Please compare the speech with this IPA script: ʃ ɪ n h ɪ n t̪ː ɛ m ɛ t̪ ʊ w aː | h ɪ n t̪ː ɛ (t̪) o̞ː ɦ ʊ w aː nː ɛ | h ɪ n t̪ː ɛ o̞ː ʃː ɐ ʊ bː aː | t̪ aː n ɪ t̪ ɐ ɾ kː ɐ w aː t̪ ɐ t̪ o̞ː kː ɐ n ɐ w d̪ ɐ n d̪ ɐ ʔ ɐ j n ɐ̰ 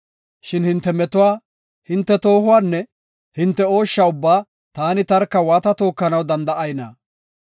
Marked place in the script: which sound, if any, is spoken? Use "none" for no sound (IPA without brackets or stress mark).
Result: t̪